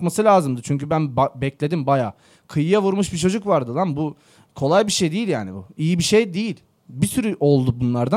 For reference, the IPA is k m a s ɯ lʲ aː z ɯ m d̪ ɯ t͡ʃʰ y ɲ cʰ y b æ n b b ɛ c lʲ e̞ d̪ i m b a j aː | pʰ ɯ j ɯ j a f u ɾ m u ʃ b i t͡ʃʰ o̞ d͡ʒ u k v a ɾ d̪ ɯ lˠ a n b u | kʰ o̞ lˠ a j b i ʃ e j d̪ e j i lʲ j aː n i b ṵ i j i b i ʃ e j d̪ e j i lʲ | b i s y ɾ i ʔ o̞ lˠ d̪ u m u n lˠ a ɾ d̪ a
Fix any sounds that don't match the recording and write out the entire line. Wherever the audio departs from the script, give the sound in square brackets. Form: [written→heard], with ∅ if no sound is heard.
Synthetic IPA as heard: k m a s ɯ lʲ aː z ɯ m d̪ ɯ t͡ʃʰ y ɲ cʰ y b æ n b b ɛ c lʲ e̞ d̪ i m b a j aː | [pʰ→kʰ] ɯ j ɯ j a [f→v] u ɾ m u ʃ b i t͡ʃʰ o̞ d͡ʒ u k v a ɾ d̪ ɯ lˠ a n b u | kʰ o̞ lˠ a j b i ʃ e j d̪ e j i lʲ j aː n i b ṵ i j i b i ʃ e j d̪ e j i lʲ | b i s y ɾ [i→y] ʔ o̞ lˠ d̪ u [m→b] u n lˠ a ɾ d̪ a